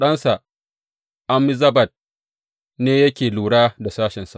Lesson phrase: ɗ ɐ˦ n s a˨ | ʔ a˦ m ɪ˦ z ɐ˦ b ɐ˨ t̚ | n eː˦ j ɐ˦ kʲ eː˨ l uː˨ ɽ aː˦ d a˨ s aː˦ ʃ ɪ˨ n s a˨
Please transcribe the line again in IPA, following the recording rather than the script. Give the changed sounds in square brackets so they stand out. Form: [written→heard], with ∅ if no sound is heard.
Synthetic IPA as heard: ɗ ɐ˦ n s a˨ | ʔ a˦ m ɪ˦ z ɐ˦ b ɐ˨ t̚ | n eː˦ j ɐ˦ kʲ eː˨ l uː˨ ɽ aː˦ d a˨ s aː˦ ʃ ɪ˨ n s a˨